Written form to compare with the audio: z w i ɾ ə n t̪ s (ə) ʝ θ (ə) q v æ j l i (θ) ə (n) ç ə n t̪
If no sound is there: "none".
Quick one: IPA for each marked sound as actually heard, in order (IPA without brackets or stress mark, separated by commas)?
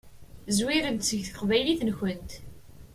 ə, ə, θ, n